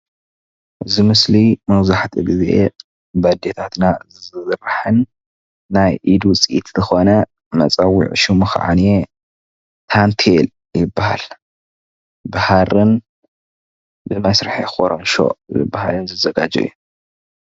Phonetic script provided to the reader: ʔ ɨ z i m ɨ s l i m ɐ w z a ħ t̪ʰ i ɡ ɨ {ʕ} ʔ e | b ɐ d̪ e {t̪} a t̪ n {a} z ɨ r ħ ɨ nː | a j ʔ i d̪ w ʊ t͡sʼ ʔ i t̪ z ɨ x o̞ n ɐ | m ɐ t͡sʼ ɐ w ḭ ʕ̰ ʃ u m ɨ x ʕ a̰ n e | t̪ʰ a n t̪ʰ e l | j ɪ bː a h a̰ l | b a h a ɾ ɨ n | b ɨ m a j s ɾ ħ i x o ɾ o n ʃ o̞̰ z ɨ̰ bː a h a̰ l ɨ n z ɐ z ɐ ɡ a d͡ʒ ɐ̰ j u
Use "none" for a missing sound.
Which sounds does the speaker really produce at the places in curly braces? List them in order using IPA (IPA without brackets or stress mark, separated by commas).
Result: z, t̪ʰ, a